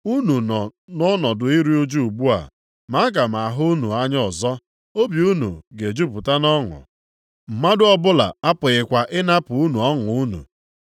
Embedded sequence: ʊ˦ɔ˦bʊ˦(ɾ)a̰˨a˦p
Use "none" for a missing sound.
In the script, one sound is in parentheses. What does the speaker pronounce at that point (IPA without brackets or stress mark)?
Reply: l